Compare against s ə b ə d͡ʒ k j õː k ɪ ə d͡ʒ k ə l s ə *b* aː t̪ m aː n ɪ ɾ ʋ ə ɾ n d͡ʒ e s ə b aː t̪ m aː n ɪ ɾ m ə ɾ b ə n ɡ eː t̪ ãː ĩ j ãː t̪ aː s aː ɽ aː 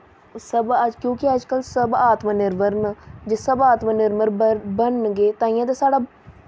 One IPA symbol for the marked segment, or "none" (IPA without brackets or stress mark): b